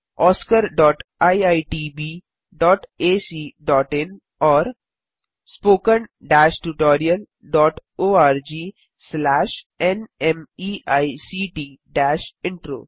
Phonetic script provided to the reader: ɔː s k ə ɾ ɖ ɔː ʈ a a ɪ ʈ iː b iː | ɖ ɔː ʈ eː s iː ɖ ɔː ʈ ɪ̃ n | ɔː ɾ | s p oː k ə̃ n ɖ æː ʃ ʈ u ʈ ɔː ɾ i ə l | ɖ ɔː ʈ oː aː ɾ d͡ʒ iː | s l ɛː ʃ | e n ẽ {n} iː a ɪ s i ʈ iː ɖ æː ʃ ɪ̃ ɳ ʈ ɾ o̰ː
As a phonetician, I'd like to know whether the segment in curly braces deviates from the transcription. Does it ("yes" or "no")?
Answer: yes